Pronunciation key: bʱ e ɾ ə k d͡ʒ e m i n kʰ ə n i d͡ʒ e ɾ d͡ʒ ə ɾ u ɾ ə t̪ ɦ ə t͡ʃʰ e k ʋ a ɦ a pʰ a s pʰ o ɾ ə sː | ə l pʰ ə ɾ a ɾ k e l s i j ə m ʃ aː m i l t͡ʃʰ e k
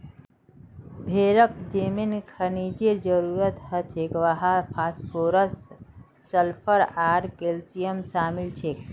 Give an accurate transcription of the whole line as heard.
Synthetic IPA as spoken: bʱ e ɾ ə k d͡ʒ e m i n kʰ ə n i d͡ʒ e ɾ d͡ʒ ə ɾ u ɾ ə t̪ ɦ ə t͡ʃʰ e k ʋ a ɦ a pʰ a s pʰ o ɾ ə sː | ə l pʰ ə ɾ a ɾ k e l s i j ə m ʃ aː m i l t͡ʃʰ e k